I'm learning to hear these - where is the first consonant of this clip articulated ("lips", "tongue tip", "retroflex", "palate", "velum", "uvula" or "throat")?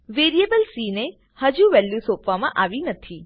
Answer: lips